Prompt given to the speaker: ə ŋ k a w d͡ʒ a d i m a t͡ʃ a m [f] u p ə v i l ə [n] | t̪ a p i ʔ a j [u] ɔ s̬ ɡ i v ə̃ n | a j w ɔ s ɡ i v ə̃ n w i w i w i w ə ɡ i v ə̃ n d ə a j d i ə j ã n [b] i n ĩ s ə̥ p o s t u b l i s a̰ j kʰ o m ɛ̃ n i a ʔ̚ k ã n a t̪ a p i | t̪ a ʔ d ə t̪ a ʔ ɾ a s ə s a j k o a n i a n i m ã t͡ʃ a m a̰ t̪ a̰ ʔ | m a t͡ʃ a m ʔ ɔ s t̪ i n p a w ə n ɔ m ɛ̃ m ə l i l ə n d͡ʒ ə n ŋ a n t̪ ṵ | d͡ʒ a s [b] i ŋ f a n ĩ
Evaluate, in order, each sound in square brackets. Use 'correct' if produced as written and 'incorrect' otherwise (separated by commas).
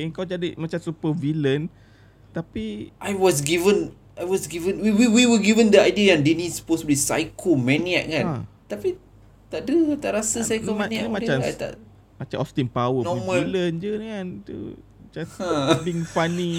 incorrect, correct, incorrect, incorrect, correct